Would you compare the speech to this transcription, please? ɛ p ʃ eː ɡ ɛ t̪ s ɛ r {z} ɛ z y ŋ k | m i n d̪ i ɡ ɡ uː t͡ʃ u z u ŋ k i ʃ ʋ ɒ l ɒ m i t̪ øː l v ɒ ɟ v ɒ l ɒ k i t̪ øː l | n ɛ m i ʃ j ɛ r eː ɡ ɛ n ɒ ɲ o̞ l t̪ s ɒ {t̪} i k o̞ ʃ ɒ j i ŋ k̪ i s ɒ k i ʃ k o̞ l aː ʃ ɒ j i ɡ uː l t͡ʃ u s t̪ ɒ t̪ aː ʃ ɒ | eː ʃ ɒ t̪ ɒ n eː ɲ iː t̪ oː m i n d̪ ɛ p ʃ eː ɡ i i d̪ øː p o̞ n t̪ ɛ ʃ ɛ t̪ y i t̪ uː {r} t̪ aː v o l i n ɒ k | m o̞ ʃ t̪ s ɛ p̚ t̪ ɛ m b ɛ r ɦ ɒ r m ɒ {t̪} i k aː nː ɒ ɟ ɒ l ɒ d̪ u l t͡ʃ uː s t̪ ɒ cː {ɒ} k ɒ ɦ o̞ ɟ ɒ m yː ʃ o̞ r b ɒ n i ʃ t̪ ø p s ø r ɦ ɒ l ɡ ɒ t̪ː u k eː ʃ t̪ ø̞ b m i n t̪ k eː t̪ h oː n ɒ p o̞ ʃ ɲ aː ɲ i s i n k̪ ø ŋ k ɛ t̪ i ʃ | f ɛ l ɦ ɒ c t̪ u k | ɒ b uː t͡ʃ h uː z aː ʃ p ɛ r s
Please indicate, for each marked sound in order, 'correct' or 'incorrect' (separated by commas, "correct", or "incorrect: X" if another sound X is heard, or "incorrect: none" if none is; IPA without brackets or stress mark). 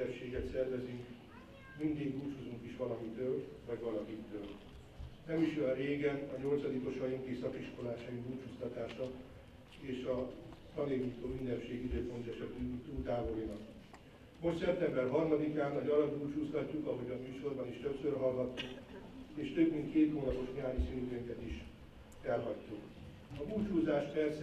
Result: incorrect: v, incorrect: d̪, incorrect: l, incorrect: d̪, incorrect: u